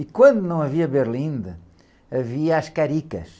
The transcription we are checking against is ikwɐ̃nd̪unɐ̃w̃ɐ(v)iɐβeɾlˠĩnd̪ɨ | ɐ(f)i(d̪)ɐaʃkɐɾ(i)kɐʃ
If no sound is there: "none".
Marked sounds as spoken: v, v, none, i

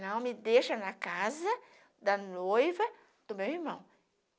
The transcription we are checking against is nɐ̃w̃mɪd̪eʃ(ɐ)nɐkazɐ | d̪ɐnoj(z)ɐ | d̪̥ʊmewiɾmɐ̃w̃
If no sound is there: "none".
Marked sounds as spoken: ɐ, v

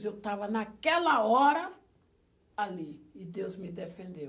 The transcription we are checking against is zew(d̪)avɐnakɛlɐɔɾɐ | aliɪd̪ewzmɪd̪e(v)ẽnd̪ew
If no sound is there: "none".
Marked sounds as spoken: t̪, f

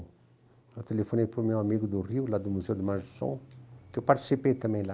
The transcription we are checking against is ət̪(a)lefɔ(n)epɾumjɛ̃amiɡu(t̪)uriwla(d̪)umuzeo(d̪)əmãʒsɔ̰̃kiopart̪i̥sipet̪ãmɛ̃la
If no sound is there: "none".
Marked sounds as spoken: e, n, d̪, d̪, d̪

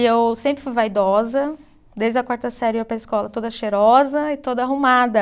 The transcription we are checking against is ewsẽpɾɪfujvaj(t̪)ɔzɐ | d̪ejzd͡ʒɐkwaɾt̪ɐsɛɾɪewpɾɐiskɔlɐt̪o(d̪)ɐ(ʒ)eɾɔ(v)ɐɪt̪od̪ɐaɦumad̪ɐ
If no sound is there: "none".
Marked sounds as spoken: d̪, d̪, ʃ, z

